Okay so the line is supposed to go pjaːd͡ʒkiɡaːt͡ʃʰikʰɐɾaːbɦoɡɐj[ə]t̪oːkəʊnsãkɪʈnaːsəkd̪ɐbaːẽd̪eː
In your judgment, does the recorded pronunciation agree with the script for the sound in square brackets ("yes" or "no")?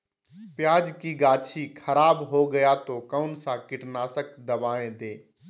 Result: no